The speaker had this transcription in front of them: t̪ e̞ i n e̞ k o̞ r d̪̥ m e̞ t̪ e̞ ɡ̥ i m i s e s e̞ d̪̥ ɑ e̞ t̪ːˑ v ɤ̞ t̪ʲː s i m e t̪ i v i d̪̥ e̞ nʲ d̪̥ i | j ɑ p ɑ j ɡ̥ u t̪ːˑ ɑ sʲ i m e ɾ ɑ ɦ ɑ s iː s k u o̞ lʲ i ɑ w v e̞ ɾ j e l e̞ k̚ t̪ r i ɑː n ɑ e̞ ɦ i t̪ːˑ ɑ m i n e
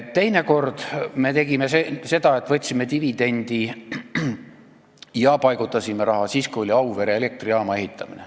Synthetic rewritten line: t̪ e̞ j n e̞ k o̞ r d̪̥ m e̞ t̪ e̞ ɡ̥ i m e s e s e̞ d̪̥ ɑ e̞ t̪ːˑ v ɤ̞ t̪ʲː s i m e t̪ i v i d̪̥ e̞ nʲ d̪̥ i | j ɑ p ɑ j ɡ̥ u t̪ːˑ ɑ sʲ i m e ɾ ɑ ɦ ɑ s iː s k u o̞ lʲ i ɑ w v e̞ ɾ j e l e̞ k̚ t̪ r i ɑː m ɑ e̞ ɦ i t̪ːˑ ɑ m i n e